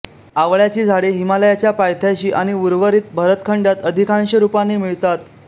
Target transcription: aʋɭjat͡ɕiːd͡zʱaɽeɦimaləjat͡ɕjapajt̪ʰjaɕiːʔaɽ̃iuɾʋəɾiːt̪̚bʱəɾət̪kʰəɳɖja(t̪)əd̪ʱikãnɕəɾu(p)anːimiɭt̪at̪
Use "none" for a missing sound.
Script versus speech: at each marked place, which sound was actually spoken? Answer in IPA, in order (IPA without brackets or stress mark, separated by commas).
t̪, p